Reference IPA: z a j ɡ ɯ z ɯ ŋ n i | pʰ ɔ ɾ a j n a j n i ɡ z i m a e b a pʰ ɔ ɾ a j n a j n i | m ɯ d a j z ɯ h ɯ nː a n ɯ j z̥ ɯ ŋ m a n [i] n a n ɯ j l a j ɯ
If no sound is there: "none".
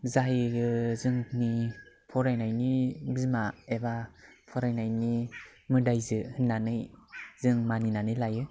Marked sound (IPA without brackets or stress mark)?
i